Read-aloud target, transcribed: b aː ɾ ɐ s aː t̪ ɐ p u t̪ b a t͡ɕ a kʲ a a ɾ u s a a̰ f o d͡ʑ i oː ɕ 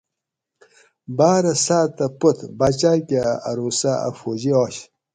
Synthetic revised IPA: b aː ɾ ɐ s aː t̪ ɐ p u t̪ b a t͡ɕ a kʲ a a ɾ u s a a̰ f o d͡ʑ i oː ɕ